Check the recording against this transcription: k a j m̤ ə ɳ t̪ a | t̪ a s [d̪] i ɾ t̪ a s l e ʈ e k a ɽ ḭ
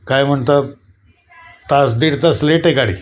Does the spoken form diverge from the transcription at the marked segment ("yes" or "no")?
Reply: no